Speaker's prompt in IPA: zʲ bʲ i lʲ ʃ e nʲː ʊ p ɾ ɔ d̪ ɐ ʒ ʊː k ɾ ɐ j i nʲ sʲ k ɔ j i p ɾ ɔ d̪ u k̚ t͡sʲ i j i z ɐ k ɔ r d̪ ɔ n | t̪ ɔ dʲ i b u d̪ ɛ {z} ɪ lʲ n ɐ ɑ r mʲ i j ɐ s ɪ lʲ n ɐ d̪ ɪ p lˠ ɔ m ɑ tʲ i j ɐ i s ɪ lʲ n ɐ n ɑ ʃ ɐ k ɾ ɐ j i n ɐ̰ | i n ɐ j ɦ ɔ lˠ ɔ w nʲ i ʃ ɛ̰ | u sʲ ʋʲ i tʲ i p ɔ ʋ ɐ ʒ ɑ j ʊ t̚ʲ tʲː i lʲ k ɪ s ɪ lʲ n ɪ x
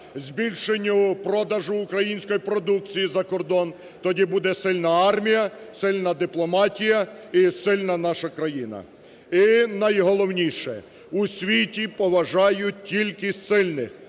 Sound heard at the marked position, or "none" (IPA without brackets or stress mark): s